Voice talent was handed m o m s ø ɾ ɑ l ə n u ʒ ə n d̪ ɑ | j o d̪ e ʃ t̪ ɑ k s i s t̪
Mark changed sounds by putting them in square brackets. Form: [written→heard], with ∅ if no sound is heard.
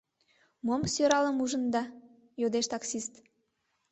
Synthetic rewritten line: m o m s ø ɾ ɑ l ə [n→m] u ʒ ə n d̪ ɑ | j o d̪ e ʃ t̪ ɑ k s i s t̪